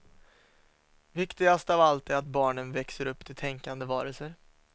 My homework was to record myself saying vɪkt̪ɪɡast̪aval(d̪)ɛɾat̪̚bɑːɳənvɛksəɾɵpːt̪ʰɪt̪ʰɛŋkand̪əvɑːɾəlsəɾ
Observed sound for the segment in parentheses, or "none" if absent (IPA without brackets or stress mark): t̪